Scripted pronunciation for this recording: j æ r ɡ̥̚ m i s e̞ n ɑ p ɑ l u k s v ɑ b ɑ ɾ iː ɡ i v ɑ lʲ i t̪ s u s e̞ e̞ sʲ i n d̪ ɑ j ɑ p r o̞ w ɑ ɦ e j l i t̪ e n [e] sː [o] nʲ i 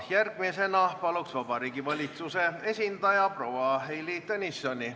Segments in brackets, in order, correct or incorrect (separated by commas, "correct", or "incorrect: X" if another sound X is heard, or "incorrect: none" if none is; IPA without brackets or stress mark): incorrect: i, correct